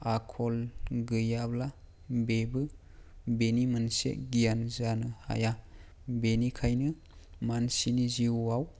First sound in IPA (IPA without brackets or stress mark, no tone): a